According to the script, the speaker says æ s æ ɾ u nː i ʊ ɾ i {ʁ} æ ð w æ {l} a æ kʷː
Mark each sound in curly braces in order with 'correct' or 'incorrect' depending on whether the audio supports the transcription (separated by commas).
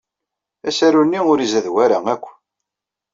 incorrect, incorrect